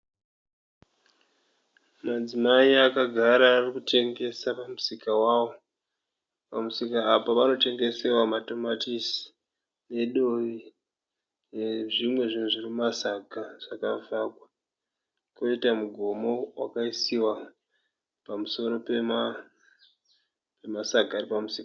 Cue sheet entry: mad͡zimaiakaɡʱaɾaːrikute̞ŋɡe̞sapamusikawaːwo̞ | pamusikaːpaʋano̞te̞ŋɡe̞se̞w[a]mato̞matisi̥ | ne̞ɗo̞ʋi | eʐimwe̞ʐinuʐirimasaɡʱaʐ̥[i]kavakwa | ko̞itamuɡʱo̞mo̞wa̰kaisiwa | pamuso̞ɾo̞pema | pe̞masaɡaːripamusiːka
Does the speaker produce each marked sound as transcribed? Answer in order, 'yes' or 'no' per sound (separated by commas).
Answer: yes, no